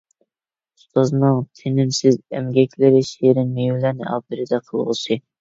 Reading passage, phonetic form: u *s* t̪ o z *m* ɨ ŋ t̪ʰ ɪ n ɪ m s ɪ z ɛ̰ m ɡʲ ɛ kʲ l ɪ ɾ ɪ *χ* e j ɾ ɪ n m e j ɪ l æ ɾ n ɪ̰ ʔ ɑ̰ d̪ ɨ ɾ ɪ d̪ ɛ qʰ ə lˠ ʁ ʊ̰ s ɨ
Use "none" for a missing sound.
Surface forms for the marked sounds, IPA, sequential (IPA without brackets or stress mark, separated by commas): s, n, ʃ